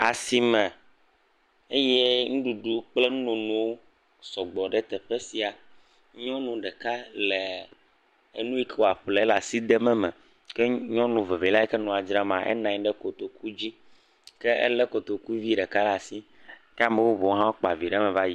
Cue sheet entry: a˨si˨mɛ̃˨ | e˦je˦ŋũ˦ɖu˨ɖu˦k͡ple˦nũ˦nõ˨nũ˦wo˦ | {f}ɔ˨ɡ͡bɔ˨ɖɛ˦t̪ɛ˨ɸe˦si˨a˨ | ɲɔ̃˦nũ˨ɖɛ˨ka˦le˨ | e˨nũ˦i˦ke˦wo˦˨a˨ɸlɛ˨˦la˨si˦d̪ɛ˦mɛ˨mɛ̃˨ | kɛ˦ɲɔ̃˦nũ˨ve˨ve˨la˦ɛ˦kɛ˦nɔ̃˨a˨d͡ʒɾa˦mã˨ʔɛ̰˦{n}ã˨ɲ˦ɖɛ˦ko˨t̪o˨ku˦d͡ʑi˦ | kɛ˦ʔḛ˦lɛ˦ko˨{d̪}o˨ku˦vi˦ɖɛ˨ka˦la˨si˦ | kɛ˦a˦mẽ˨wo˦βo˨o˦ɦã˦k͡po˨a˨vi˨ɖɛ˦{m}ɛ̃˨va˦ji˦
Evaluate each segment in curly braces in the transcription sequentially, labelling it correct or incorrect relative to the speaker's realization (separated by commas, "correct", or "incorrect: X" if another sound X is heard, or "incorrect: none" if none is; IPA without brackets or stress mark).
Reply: incorrect: s, correct, incorrect: t̪, correct